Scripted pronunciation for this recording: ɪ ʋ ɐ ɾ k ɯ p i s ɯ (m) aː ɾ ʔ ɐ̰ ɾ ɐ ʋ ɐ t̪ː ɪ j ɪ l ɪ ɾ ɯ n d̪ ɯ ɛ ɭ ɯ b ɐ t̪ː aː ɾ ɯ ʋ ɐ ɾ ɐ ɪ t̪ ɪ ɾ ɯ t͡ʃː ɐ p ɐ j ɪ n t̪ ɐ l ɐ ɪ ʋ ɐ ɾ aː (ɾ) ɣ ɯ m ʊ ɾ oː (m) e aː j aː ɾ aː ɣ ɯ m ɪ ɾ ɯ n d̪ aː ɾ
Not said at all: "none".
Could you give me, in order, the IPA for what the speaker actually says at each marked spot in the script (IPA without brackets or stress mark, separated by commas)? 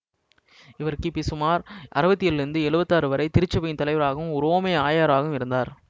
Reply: m, none, m